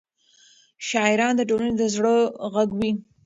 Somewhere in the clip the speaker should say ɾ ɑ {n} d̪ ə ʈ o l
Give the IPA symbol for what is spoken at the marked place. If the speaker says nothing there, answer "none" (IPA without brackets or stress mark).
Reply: n